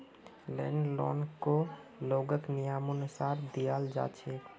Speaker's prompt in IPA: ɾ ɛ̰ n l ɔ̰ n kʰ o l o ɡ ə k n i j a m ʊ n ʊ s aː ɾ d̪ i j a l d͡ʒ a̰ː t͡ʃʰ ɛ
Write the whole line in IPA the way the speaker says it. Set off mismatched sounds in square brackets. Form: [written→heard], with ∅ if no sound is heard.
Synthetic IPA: [ɾ→l] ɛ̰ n l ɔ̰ n [kʰ→k] o l o ɡ ə k n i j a m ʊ n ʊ s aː ɾ d̪ i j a l d͡ʒ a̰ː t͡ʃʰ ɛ